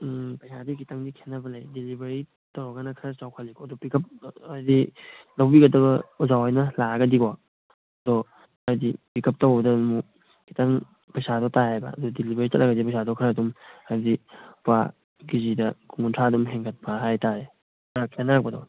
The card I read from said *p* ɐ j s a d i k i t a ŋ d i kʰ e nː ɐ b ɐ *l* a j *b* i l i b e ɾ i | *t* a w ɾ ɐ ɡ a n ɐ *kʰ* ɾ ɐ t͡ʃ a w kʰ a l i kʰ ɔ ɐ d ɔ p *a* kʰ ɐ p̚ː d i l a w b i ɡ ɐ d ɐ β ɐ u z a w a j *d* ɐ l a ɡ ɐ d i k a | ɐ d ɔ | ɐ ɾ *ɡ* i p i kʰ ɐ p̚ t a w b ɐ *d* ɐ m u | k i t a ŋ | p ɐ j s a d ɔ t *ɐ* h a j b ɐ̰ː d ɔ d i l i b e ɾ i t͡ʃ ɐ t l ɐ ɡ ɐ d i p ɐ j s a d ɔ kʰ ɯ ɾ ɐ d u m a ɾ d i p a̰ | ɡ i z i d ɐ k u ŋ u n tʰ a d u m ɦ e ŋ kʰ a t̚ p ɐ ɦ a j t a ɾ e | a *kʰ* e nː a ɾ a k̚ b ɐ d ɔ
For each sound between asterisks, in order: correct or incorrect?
correct, correct, incorrect, correct, correct, incorrect, incorrect, incorrect, correct, incorrect, correct

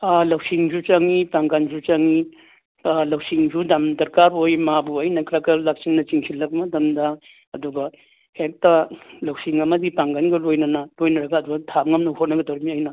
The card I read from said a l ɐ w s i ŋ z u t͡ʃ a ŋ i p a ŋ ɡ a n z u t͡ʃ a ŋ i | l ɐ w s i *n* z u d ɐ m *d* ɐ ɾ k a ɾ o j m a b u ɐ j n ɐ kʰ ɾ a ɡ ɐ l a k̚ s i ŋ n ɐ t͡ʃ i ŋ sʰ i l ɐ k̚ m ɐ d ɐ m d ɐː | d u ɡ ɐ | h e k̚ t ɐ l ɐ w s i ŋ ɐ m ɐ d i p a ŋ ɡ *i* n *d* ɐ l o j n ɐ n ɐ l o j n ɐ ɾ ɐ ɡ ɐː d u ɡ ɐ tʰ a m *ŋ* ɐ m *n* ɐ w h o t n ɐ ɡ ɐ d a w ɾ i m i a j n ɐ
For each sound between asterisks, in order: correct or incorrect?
incorrect, correct, incorrect, incorrect, correct, correct

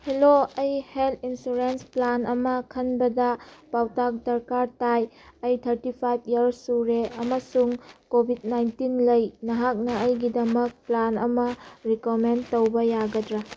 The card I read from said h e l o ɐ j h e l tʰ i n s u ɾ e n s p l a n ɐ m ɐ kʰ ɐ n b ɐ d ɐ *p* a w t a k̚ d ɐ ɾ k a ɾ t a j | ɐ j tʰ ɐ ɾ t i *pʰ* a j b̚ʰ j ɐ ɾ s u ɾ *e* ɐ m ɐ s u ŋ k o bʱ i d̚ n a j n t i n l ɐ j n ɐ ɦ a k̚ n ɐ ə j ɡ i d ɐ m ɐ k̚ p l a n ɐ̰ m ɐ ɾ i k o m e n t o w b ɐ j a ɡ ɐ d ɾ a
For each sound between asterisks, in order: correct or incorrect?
correct, correct, correct

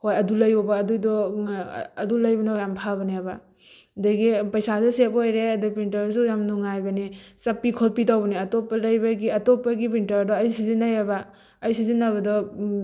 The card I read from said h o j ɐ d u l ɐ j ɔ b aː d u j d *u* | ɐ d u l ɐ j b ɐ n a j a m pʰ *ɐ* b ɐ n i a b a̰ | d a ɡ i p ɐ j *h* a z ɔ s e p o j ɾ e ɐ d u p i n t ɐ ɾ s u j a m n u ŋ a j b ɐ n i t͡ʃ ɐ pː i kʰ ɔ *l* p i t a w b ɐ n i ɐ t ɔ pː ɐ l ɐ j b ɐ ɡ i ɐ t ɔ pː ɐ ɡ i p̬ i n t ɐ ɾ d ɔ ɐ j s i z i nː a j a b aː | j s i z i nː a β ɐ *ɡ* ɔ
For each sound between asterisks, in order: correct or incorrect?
incorrect, incorrect, incorrect, correct, incorrect

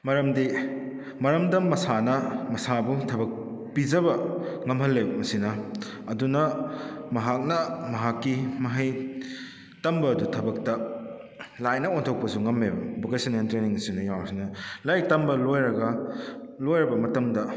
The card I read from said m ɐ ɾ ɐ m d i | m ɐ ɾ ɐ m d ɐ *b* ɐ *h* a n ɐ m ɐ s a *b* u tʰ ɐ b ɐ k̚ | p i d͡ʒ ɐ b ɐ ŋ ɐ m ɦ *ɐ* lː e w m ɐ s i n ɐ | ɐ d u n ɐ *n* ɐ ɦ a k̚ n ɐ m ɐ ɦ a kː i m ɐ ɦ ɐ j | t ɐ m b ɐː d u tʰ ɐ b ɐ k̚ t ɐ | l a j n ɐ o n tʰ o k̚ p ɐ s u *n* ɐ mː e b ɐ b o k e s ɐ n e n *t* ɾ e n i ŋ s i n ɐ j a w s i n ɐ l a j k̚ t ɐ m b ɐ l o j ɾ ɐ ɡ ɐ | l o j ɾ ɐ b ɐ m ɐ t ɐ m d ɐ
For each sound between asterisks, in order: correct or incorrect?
incorrect, incorrect, correct, correct, incorrect, incorrect, correct

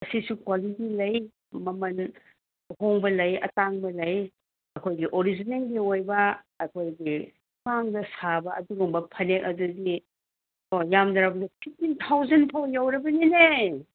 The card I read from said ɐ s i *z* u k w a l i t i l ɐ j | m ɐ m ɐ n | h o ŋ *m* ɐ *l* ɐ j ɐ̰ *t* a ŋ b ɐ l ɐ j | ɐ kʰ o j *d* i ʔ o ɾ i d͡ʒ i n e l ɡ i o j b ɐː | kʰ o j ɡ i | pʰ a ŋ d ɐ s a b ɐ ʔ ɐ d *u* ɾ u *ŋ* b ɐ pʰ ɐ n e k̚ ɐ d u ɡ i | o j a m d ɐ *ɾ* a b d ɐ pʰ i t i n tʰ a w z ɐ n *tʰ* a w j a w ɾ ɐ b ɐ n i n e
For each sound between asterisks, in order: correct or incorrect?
incorrect, incorrect, correct, correct, incorrect, correct, correct, correct, incorrect

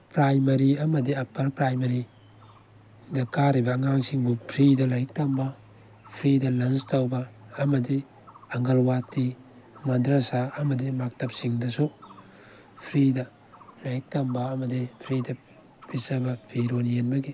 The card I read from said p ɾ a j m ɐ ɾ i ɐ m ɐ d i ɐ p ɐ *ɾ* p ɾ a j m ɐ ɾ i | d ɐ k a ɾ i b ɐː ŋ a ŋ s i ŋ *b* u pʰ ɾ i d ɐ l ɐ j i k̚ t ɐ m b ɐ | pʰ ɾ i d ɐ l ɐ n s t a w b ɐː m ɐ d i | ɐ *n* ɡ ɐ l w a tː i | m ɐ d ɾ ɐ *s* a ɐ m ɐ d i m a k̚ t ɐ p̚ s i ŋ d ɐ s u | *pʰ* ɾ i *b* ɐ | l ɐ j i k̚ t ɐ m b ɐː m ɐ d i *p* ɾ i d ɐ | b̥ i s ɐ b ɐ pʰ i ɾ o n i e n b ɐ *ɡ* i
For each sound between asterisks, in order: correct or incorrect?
incorrect, correct, incorrect, correct, correct, incorrect, incorrect, correct

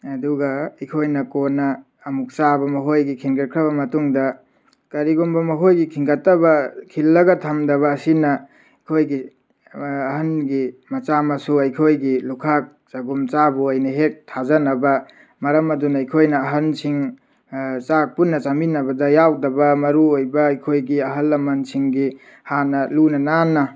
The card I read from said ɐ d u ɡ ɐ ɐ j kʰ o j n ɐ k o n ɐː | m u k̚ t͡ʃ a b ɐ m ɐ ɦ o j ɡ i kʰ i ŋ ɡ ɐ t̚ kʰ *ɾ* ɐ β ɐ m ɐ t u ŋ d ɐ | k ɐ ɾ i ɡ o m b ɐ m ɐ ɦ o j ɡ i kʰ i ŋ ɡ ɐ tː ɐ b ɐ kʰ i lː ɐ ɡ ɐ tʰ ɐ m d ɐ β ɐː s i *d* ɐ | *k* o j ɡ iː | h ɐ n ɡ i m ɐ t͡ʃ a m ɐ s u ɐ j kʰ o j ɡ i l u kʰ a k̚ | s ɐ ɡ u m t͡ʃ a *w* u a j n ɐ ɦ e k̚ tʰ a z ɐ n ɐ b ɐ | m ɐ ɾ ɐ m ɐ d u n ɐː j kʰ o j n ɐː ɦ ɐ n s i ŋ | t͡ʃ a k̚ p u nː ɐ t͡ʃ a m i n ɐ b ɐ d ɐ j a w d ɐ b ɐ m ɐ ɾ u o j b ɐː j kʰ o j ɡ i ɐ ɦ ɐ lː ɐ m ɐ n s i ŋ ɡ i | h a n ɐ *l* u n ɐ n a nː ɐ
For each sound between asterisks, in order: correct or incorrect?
correct, incorrect, incorrect, incorrect, correct

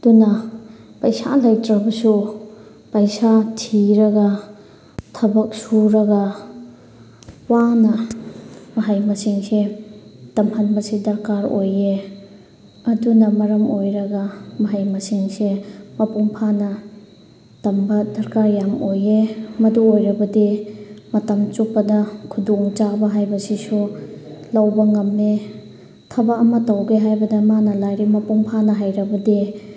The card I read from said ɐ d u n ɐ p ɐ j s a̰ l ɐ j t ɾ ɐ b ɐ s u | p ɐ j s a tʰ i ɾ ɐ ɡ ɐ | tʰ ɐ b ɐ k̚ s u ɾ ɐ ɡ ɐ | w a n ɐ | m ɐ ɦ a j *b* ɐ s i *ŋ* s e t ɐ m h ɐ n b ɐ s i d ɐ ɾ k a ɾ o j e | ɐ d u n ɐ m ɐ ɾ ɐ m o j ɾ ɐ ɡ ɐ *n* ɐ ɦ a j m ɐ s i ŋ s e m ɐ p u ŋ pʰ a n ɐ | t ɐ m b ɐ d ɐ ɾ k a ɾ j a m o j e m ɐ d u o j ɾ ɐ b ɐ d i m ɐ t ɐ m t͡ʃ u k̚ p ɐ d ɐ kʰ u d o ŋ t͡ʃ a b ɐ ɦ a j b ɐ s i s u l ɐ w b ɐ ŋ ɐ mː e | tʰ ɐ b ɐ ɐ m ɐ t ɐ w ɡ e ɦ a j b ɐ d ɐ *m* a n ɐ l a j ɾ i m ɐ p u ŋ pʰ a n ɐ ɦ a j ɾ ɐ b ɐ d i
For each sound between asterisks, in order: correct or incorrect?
incorrect, correct, incorrect, correct

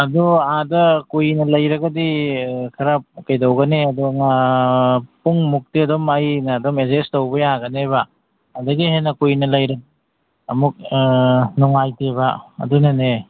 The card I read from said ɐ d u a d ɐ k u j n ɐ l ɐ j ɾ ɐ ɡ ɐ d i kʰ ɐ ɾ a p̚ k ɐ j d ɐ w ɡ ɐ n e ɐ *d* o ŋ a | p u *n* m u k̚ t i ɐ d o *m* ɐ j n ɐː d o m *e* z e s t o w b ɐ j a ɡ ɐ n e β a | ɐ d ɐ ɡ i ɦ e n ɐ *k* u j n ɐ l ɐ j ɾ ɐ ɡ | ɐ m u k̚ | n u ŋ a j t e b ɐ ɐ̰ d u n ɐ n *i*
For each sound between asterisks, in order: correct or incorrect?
correct, incorrect, correct, correct, correct, incorrect

